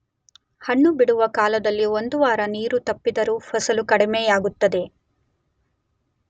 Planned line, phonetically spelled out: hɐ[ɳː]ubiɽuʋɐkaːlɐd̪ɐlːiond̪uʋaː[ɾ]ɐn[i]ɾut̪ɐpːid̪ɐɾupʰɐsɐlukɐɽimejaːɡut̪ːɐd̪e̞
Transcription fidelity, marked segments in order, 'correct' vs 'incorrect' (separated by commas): correct, correct, incorrect